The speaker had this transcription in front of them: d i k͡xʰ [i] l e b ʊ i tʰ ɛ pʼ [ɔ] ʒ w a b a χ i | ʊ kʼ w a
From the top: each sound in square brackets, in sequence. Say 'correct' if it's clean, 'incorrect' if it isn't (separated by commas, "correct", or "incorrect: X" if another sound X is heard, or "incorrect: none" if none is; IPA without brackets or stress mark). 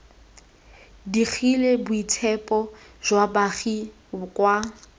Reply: correct, correct